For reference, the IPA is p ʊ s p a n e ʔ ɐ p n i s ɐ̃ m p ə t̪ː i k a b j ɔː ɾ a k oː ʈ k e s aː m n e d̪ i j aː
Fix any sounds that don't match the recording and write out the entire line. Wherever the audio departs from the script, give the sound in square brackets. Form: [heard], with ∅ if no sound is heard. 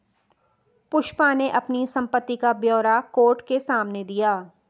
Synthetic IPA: p ʊ [ʃ] p a n e ʔ ɐ p n i s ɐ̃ m p ə t̪ː i k a b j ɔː ɾ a k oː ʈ k e s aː m n e d̪ i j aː